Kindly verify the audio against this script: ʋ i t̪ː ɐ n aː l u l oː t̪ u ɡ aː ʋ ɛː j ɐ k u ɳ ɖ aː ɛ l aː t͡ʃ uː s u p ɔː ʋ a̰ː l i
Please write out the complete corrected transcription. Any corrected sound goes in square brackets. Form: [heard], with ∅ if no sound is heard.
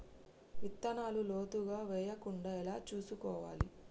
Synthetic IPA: ʋ i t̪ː ɐ n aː l u l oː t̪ u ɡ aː ʋ ɛː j ɐ k u ɳ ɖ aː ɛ l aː t͡ʃ uː s u [k] ɔː ʋ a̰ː l i